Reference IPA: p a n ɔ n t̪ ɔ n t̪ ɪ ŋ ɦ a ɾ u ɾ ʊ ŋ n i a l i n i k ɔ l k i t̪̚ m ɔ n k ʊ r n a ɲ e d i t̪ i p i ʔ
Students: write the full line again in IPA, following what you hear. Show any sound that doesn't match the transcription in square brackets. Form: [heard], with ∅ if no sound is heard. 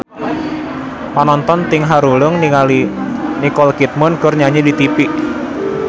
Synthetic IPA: p a n ɔ n t̪ ɔ n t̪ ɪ ŋ ɦ a ɾ u [l] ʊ ŋ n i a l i n i k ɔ l k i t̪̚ m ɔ n k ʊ r [ɲ] a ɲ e d i t̪ i p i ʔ